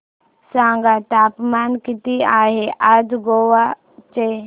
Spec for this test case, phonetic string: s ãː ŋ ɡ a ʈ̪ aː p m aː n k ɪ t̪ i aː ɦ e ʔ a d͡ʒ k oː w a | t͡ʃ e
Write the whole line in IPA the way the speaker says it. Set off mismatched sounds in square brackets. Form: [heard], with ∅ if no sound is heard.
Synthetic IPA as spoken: s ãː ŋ ɡ a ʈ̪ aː p m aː n k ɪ t̪ i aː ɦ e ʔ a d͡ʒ [ɡ] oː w a | t͡ʃ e